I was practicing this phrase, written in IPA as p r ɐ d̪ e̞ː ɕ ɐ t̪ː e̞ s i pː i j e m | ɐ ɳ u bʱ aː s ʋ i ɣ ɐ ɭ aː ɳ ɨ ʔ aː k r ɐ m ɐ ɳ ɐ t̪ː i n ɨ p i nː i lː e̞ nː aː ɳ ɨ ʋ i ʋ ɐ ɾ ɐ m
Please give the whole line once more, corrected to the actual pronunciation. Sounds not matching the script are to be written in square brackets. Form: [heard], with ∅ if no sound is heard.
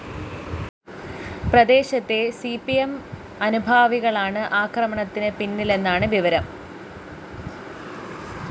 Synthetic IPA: p r ɐ d̪ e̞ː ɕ ɐ t̪ː e̞ s i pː i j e m | ɐ [n] u bʱ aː [∅] ʋ i ɣ ɐ ɭ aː ɳ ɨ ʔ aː k r ɐ m ɐ ɳ ɐ t̪ː i n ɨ p i nː i [l] e̞ nː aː ɳ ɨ ʋ i ʋ ɐ ɾ ɐ m